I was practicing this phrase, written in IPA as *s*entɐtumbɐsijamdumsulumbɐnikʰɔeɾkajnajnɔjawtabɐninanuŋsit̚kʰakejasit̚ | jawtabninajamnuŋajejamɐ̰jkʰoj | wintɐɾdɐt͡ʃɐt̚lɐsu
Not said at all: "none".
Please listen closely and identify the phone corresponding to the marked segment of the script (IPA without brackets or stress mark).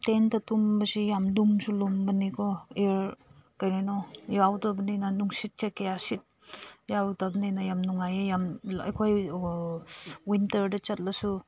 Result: t